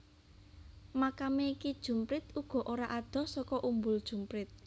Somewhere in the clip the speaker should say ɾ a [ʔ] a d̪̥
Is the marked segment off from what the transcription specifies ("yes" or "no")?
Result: no